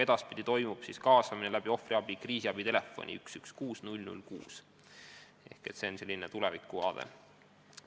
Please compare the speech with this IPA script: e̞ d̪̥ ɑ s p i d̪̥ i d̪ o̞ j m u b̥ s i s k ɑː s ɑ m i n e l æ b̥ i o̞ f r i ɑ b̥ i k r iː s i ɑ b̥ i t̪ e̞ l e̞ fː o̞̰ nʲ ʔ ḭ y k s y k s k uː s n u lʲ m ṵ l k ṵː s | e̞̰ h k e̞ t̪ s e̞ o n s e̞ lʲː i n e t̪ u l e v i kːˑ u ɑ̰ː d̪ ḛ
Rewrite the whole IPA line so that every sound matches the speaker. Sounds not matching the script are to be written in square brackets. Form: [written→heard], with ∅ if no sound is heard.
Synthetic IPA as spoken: e̞ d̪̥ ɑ s p i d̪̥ i [d̪→t̪] o̞ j m u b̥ s i s k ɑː s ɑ m i n e l æ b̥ i o̞ f r i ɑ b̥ i k r iː s i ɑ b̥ i t̪ e̞ l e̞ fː o̞̰ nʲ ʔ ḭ y k s y k s k uː s n u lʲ [m→n] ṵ l k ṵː s | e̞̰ h k e̞ t̪ s e̞ o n s e̞ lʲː i n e t̪ u l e v i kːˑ u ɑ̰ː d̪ ḛ